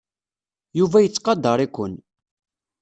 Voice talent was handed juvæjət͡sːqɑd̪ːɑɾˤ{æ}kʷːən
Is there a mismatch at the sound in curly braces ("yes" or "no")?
yes